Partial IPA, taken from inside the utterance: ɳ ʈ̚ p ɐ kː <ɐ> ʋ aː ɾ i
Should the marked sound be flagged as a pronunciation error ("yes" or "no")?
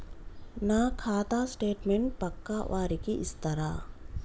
yes